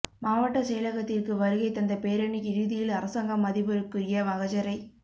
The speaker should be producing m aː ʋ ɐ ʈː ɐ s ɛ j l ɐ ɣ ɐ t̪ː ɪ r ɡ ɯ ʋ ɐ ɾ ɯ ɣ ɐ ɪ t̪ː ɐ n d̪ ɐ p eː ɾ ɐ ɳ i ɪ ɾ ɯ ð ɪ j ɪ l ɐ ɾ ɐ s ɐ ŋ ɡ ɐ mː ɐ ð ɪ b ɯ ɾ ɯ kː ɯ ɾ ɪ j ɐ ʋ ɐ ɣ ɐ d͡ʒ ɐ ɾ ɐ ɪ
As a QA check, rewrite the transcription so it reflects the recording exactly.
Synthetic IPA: m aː ʋ ɐ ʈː ɐ s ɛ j l ɐ ɣ ɐ t̪ː ɪ r k ɯ ʋ ɐ ɾ ɯ ɣ ɐ ɪ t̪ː ɐ n d̪ ɐ p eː ɾ ɐ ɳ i ɪ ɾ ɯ ð ɪ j ɪ l ɐ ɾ ɐ s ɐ ŋ ɡ ɐ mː ɐ ð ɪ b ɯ ɾ ɯ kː ɯ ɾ ɪ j ɐ ʋ ɐ ɣ ɐ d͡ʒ ɐ ɾ ɐ ɪ